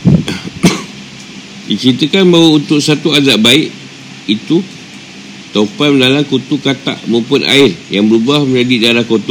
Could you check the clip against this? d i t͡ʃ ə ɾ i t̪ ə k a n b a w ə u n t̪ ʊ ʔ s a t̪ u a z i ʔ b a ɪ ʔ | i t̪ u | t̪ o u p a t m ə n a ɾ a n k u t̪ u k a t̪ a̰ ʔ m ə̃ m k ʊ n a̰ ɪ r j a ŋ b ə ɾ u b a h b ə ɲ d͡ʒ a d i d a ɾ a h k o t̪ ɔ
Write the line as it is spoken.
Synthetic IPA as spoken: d i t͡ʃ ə ɾ i t̪ ə k a n b a w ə u n t̪ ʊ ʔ s a t̪ u a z a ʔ b a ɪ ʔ | i t̪ u | t̪ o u p a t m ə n a l a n k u t̪ u k a t̪ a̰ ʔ m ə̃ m p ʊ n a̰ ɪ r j a ŋ b ə ɾ u b a h m ə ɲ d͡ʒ a d i d a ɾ a h k o t̪ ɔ